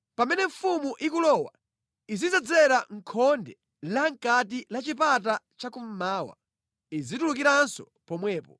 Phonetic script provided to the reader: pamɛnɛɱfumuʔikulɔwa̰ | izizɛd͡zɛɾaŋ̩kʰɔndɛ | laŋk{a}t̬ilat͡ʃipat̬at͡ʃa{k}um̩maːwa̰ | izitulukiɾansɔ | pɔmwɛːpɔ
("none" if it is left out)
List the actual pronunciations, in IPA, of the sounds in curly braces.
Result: a, k

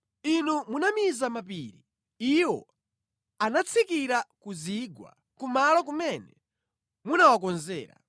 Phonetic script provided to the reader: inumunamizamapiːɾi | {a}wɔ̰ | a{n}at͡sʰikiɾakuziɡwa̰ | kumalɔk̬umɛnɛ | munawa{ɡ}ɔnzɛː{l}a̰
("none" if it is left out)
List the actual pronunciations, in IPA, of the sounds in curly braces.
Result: i, n, k, ɾ

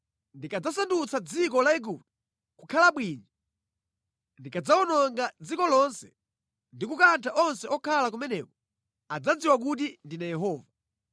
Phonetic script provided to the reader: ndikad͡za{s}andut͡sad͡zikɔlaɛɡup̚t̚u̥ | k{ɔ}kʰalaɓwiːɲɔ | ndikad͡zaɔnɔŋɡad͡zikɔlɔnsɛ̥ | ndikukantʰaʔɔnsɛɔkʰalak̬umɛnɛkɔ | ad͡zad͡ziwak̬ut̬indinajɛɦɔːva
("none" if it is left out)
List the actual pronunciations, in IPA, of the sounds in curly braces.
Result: s, u

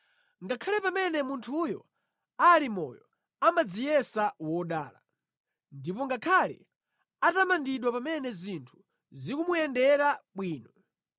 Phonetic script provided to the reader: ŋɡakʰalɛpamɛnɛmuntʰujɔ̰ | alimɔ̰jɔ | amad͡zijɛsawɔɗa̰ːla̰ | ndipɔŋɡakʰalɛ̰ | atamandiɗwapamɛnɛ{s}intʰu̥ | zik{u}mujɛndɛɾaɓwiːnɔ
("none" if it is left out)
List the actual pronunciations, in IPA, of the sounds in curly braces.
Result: z, u

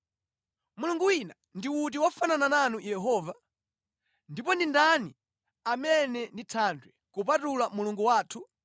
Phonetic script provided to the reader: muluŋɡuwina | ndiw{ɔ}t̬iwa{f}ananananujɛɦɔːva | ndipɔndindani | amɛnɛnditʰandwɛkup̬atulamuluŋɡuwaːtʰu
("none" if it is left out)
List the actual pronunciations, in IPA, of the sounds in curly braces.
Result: u, f

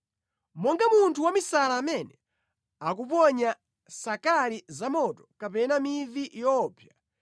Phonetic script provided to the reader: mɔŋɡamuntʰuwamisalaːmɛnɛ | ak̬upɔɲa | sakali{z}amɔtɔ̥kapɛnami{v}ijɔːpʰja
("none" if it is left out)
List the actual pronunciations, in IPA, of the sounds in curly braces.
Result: z, v

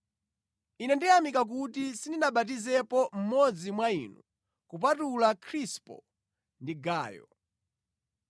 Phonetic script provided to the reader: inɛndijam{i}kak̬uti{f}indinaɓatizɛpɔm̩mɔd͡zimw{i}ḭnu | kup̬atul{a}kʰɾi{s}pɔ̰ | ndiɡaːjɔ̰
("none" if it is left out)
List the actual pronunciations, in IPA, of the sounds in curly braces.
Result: i, s, a, a, s

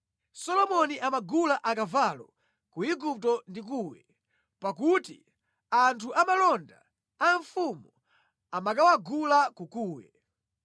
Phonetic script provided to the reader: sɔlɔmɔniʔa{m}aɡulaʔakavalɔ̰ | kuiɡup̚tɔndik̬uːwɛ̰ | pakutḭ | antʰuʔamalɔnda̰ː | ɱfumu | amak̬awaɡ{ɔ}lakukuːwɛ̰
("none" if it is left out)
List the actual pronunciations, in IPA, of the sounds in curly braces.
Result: m, u

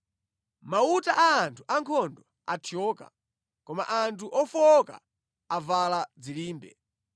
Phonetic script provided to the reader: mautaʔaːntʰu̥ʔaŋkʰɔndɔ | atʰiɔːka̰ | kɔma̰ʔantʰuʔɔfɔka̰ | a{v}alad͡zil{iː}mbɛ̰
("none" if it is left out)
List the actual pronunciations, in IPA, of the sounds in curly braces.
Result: v, iː

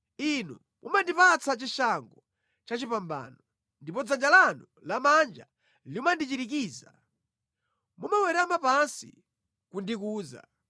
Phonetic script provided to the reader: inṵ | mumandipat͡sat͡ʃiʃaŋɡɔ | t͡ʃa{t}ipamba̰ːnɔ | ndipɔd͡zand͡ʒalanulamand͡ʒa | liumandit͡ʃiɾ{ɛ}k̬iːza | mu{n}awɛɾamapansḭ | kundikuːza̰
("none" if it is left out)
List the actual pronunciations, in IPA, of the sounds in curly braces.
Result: t͡ʃ, i, m

